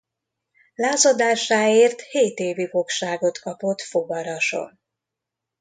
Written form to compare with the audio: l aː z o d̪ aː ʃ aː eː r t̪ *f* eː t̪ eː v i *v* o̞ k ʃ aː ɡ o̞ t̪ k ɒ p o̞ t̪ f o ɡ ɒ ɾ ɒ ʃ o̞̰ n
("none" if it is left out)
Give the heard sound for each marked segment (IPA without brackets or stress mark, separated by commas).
h, f